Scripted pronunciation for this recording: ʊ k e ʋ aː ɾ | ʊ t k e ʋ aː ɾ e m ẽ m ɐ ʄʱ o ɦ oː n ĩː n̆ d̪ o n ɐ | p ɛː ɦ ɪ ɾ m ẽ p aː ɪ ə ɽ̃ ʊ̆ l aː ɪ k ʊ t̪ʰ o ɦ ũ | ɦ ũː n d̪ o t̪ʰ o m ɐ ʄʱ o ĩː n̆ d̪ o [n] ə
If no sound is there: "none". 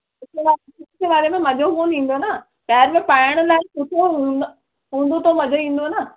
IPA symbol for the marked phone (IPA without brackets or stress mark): n